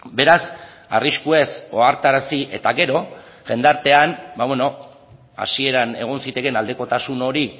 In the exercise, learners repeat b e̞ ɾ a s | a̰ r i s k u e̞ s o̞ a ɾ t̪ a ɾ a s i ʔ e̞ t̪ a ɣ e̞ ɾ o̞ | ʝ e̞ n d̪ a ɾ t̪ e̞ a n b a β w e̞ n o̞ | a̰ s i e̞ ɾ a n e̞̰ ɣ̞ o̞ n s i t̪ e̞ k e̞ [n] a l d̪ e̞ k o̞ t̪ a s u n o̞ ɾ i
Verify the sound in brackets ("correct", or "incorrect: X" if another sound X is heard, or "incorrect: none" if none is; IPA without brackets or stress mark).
correct